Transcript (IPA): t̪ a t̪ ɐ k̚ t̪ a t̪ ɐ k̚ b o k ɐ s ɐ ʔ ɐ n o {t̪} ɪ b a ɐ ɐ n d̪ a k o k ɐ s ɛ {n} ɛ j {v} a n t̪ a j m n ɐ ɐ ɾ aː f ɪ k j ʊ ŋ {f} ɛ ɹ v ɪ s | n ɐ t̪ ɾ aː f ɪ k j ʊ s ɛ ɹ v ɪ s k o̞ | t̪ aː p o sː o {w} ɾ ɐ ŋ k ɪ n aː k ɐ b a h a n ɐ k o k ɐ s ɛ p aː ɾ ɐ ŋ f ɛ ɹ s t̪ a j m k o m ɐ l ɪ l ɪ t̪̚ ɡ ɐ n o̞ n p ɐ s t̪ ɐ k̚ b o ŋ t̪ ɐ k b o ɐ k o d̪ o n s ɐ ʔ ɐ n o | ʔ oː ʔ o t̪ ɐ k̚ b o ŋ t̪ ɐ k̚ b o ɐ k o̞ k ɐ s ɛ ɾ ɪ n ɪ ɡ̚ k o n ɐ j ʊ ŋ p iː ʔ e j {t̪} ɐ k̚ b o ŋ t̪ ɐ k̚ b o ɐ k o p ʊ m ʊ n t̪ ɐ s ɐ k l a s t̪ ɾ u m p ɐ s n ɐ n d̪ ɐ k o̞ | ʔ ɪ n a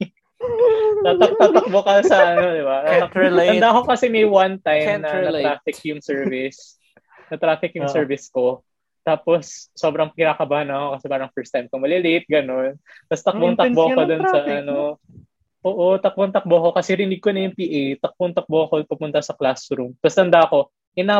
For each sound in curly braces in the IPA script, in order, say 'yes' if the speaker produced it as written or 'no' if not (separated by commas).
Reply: no, no, no, no, no, yes